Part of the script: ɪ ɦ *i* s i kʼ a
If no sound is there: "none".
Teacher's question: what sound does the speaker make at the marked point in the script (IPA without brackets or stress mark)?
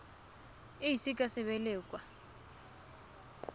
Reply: i